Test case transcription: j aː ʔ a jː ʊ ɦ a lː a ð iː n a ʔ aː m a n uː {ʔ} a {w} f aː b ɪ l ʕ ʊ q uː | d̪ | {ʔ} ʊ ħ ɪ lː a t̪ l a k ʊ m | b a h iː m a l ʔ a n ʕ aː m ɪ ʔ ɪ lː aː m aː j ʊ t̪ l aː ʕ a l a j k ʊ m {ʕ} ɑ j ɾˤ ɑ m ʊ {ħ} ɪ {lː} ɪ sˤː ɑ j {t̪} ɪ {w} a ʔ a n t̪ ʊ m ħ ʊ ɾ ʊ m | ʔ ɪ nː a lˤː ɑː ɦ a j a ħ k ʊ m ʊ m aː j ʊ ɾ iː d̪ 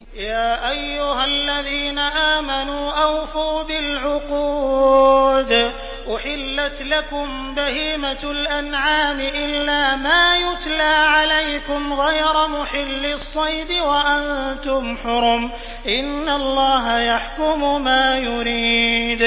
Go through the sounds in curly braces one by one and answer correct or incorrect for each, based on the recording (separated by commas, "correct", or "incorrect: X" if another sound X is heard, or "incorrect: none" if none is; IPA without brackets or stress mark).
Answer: correct, correct, correct, incorrect: ɣ, correct, correct, incorrect: d̪, correct